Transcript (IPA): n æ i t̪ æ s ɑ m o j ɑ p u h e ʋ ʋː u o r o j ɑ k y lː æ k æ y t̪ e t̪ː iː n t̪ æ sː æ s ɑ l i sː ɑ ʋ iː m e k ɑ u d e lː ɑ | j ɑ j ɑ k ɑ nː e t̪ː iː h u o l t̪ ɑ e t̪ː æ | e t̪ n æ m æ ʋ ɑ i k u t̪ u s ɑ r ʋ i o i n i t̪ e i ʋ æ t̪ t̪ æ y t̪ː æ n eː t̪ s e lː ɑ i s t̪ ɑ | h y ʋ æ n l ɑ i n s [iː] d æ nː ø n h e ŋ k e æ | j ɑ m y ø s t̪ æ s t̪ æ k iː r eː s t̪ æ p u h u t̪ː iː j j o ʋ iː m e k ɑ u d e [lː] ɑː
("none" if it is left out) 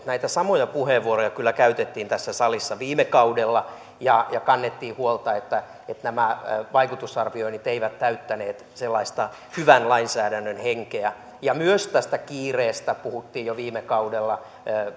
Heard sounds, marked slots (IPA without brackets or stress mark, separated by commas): æː, lː